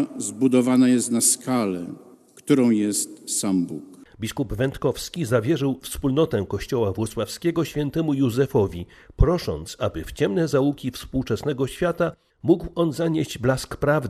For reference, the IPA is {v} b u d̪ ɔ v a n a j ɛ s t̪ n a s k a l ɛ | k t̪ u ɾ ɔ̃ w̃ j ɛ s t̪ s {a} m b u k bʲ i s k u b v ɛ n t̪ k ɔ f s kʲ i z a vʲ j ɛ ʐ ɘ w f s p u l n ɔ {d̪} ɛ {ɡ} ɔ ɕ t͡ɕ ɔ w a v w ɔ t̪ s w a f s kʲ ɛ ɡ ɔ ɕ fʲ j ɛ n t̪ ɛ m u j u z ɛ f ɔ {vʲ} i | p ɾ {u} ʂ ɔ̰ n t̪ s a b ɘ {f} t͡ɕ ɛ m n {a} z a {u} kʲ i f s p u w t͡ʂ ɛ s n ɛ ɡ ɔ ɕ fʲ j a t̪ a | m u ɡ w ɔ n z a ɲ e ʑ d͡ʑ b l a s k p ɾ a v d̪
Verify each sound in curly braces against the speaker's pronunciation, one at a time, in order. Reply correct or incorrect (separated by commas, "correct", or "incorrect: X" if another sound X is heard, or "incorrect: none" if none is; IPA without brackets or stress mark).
incorrect: z, correct, incorrect: t̪, incorrect: k, correct, incorrect: ɔ, correct, incorrect: ɛ, correct